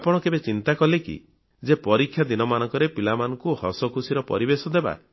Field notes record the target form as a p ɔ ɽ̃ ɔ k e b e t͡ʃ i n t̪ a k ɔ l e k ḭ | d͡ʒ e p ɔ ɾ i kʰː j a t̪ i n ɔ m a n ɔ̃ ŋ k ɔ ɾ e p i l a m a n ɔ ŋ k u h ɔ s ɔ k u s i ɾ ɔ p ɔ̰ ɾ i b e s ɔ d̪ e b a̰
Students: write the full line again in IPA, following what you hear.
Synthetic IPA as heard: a p ɔ ɽ̃ ɔ k e b e t͡ʃ i n t̪ a k ɔ l e k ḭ | d͡ʒ e p ɔ ɾ i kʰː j a d̪ i n ɔ m a n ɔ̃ ŋ k ɔ ɾ e p i l a m a n ɔ ŋ k u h ɔ s ɔ k u s i ɾ ɔ p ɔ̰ ɾ i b e s ɔ d̪ e b a̰